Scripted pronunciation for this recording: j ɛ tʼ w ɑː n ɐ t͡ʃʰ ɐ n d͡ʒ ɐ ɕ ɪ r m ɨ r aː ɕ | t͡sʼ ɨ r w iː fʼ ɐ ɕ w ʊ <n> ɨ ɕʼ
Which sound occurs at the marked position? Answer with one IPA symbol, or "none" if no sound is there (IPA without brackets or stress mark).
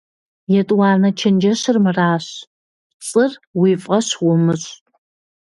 m